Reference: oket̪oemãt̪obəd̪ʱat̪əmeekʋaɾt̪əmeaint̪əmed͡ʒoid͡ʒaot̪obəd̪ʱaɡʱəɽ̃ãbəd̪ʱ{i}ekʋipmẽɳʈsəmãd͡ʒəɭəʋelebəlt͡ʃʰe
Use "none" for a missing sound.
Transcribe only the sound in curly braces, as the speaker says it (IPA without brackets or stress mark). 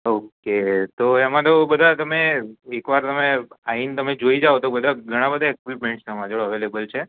a